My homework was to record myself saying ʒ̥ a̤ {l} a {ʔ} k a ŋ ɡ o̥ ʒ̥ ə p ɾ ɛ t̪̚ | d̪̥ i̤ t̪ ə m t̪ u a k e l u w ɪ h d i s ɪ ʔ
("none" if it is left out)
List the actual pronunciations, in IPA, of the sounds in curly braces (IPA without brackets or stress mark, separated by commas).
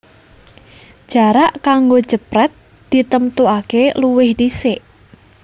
ɾ, ʔ